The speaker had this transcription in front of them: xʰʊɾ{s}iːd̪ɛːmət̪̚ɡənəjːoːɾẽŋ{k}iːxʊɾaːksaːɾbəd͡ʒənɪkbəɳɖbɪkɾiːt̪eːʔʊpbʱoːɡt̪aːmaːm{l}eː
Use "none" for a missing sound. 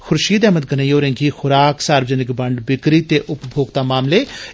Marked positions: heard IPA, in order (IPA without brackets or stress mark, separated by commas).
ʃ, ɡ, l